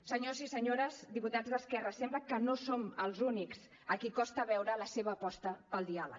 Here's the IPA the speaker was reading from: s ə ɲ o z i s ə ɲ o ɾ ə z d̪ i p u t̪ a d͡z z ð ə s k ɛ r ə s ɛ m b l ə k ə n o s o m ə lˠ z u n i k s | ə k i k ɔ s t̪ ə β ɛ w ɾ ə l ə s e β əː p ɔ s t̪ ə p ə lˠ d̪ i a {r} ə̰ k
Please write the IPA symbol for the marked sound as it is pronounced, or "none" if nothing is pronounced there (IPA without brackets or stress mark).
l